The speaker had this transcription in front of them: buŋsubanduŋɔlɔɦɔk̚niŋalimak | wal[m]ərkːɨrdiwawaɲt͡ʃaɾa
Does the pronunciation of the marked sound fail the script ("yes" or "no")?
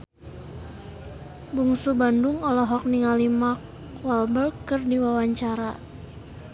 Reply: yes